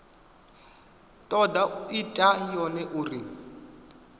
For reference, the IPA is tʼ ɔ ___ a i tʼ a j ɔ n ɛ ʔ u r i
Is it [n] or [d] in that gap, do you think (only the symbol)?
d